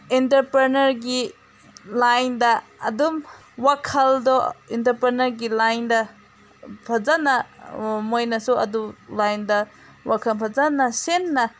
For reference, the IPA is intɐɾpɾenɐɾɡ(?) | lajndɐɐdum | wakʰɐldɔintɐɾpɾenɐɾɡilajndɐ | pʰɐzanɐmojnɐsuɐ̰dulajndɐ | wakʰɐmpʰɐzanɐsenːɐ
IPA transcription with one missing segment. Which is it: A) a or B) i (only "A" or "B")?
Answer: B